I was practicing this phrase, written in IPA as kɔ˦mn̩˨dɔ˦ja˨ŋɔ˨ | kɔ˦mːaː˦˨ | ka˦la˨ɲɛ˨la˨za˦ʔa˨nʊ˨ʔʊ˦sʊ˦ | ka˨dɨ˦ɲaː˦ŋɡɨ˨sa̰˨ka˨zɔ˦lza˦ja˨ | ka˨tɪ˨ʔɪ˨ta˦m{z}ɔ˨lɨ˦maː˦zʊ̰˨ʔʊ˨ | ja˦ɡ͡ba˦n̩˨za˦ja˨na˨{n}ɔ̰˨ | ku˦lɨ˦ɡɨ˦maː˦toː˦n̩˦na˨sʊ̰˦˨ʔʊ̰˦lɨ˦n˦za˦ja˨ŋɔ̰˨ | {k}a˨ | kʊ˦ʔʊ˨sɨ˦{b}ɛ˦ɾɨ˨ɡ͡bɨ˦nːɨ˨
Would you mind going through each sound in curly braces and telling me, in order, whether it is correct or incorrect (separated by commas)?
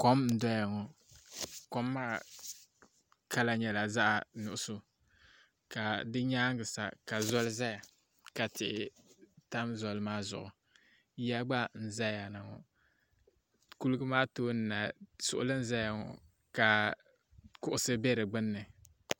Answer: correct, incorrect, correct, correct